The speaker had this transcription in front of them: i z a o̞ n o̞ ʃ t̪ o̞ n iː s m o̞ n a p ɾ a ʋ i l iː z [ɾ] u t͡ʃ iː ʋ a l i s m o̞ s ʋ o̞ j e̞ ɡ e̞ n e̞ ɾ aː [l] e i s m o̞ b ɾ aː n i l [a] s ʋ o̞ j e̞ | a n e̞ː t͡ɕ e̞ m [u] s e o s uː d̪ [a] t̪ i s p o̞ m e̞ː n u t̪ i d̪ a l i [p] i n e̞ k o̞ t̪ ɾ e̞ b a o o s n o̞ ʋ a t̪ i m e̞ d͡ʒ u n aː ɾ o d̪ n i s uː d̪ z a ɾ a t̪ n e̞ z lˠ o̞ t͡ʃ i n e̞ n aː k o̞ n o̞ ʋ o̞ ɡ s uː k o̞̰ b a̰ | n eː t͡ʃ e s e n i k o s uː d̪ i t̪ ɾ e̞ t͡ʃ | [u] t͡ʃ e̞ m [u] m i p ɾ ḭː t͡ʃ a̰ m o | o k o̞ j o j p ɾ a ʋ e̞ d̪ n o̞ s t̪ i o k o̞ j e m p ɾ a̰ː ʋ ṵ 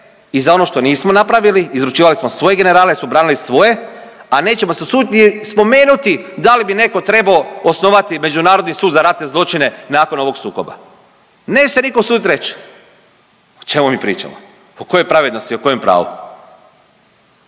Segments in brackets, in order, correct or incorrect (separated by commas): correct, correct, incorrect, incorrect, incorrect, incorrect, incorrect, correct